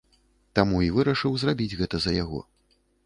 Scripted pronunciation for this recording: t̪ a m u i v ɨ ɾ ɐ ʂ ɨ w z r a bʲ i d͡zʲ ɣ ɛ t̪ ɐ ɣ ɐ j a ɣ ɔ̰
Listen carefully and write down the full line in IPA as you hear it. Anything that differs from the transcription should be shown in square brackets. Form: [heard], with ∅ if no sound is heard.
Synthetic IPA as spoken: t̪ a m u i v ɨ ɾ ɐ ʂ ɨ w z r a bʲ i d͡zʲ ɣ ɛ t̪ ɐ [z] ɐ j a ɣ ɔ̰

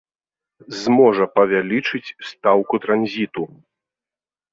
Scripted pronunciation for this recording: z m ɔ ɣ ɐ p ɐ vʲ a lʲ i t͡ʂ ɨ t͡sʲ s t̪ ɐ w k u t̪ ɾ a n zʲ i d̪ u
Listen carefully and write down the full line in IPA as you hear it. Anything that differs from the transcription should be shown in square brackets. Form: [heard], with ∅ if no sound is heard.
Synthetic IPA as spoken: z m ɔ [ʐ] ɐ p ɐ vʲ a lʲ i t͡ʂ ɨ t͡sʲ s t̪ [a] w k u t̪ ɾ a n zʲ i [t̪] u

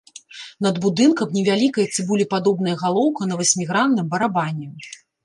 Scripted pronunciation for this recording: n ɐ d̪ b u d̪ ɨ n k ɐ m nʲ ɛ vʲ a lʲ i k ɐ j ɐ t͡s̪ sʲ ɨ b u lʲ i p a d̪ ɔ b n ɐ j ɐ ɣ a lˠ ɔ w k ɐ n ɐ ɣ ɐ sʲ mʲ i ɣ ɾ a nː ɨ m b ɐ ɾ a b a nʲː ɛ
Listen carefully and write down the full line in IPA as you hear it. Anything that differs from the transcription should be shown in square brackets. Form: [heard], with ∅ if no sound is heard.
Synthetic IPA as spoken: n ɐ d̪ b u d̪ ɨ n k ɐ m nʲ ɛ vʲ a lʲ i k ɐ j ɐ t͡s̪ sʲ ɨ b u lʲ i p a d̪ ɔ b n ɐ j ɐ ɣ a lˠ ɔ w k ɐ n ɐ [v] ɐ sʲ mʲ i ɣ ɾ a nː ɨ m b ɐ ɾ a b a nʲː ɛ

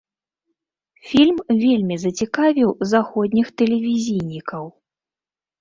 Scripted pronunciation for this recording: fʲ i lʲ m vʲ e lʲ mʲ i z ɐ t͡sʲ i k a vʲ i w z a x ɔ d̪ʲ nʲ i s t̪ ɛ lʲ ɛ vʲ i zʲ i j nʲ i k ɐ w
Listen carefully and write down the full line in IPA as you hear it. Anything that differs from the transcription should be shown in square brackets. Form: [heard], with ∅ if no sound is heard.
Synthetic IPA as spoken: fʲ i lʲ m vʲ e lʲ mʲ i z ɐ t͡sʲ i k a vʲ i w z a x ɔ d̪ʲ nʲ i [x] t̪ ɛ lʲ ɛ vʲ i zʲ i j nʲ i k ɐ w

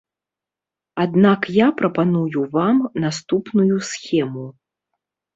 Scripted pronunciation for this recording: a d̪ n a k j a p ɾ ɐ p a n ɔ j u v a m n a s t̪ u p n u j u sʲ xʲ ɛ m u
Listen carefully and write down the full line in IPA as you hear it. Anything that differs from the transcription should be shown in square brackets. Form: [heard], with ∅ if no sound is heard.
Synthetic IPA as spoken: a d̪ n a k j a p ɾ ɐ p a n [u] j u v a m n a s t̪ u p n u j u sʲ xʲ ɛ m u

